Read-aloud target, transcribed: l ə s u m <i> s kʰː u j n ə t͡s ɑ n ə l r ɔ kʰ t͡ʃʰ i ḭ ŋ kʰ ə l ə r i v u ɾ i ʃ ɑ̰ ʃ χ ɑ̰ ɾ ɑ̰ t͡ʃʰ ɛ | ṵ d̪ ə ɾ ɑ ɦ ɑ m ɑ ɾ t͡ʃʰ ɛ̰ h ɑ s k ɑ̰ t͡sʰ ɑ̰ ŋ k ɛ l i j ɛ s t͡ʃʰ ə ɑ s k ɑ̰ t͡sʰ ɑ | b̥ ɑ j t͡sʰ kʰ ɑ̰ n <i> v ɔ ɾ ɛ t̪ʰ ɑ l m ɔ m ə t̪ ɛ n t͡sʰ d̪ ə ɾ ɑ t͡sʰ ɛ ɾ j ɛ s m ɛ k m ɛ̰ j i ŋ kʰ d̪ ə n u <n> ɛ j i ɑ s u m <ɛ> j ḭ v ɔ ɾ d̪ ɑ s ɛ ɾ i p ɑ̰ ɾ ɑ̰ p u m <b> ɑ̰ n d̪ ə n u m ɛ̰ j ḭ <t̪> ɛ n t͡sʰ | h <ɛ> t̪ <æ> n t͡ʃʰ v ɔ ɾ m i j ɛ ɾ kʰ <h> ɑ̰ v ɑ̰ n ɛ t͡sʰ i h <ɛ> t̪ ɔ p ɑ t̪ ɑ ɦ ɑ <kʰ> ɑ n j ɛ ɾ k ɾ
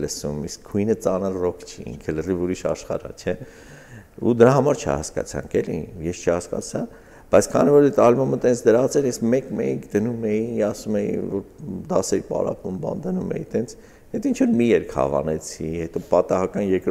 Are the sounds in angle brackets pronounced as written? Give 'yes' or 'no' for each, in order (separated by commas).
yes, yes, no, yes, yes, yes, yes, no, yes, yes, no